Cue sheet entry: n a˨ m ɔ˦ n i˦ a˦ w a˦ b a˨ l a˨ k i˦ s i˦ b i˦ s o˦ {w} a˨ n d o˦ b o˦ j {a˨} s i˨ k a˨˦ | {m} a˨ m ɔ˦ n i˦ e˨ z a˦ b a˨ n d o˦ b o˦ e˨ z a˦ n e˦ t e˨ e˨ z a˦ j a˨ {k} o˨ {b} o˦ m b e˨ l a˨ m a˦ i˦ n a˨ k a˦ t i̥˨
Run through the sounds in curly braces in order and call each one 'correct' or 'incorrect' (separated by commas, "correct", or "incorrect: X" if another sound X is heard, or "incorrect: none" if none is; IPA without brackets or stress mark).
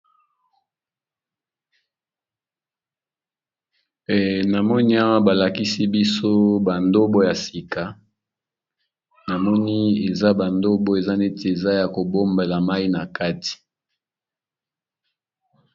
incorrect: b, correct, incorrect: n, correct, correct